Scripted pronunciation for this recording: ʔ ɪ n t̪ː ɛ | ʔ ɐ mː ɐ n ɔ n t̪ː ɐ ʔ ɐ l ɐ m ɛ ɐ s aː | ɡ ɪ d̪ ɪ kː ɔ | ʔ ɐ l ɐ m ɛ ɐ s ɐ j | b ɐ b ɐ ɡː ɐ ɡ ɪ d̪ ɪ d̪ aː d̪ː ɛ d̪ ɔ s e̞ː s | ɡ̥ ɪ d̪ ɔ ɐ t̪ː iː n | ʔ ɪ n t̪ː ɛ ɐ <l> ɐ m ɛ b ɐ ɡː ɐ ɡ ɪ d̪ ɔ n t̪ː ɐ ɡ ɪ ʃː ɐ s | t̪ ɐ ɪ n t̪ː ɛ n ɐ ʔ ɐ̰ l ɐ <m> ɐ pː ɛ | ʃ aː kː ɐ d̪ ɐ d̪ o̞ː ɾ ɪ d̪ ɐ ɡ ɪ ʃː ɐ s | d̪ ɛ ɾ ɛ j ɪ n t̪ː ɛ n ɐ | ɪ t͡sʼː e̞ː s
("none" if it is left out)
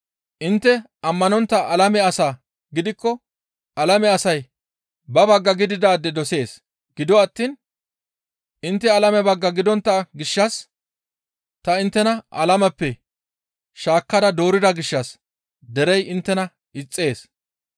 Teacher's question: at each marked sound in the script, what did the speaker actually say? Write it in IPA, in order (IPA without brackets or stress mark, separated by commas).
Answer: l, m